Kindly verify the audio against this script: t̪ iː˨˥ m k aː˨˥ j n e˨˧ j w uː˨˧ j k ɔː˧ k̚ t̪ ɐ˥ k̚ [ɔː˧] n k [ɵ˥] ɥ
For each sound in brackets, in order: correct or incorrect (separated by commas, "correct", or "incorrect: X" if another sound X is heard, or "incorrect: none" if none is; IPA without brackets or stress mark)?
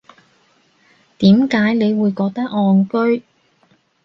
correct, correct